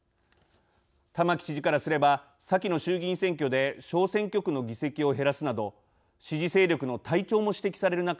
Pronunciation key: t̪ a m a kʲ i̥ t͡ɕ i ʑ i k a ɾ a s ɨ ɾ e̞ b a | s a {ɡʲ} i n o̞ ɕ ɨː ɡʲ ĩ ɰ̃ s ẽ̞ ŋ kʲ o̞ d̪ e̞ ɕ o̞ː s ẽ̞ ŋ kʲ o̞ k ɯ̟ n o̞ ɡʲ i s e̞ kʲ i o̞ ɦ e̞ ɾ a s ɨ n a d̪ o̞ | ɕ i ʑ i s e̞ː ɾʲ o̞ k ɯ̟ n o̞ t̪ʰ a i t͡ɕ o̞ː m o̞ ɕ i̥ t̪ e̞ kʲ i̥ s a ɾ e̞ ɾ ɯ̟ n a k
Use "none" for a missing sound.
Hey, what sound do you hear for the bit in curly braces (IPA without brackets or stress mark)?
kʲ